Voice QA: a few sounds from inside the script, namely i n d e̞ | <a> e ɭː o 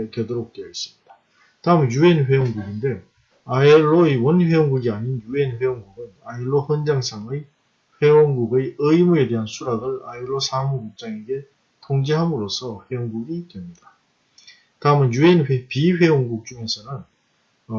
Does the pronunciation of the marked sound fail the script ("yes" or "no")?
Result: no